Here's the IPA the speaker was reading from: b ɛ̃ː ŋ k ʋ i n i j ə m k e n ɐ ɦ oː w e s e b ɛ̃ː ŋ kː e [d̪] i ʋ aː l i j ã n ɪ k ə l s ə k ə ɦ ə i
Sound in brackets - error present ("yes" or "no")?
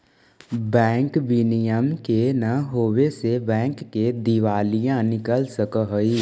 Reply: no